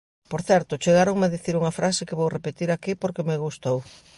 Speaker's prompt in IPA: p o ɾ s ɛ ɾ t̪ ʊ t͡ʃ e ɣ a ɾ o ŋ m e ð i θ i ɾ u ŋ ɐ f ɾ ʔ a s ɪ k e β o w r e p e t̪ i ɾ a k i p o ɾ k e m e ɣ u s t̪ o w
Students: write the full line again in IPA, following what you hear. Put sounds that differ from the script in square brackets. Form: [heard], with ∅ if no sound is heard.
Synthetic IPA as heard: p o ɾ [θ] ɛ ɾ t̪ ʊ t͡ʃ e ɣ a ɾ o ŋ m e ð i θ i ɾ u ŋ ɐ f ɾ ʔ a s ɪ k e β o w r e p e t̪ i ɾ a k i p o ɾ k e m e ɣ u s t̪ o w